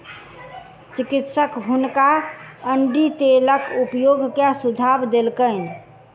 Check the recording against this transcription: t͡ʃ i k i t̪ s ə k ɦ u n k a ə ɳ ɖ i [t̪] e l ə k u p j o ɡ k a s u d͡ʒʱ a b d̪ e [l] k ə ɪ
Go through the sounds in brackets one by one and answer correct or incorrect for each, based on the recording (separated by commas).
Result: correct, correct